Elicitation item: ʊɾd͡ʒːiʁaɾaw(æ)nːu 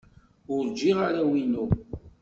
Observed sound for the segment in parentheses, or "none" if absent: i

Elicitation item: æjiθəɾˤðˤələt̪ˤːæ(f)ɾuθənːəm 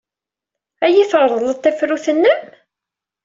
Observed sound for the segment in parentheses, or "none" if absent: f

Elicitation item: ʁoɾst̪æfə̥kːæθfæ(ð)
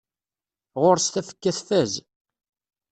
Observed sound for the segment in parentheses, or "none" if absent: z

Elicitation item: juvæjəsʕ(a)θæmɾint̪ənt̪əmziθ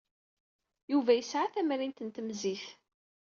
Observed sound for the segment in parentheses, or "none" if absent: a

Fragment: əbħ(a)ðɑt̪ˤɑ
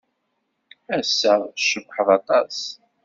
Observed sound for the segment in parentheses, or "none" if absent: ə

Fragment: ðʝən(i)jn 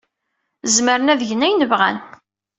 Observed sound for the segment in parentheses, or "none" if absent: æ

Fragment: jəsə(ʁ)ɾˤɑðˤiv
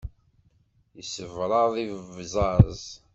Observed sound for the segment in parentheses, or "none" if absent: v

